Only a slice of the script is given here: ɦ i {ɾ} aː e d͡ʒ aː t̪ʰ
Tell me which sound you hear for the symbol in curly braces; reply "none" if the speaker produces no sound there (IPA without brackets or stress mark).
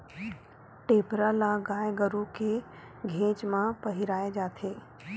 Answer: ɾ